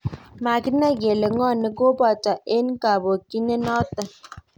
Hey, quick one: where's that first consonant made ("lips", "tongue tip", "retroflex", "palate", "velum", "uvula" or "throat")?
lips